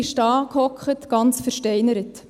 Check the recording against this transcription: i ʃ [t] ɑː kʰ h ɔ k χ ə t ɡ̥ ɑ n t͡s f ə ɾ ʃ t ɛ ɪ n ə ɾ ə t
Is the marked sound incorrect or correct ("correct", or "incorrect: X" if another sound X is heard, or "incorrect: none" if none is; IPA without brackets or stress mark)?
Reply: correct